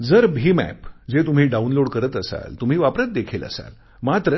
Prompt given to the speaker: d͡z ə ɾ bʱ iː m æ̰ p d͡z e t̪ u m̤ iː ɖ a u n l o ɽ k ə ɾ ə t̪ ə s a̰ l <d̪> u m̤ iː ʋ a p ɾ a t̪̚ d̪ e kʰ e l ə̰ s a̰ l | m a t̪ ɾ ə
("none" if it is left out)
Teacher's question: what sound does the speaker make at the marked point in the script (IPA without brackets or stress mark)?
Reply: t̪